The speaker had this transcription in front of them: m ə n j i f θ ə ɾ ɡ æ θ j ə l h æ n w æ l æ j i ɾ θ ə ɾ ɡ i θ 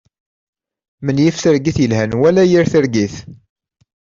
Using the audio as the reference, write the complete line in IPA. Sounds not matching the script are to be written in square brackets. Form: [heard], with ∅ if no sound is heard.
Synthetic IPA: m ə n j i f θ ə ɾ ɡ [i] θ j ə l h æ n w æ l æ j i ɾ θ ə ɾ ɡ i θ